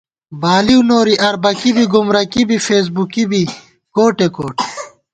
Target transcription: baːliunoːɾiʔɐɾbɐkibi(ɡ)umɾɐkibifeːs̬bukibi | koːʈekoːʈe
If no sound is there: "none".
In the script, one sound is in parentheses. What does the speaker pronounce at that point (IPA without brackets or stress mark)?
ɡ